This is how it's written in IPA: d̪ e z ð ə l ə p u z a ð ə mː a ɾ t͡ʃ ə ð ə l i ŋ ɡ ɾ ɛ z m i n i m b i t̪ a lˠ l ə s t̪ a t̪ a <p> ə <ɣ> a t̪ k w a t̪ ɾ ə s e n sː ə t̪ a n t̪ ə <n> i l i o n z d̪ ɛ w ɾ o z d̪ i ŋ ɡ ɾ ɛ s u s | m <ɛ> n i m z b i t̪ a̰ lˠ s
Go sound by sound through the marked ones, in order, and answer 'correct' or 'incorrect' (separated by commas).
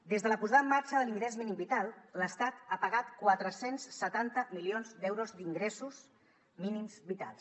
correct, correct, incorrect, incorrect